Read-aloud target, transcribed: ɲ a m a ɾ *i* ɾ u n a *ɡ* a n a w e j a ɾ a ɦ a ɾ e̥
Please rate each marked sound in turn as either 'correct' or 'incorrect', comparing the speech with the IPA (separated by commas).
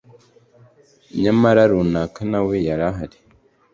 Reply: incorrect, incorrect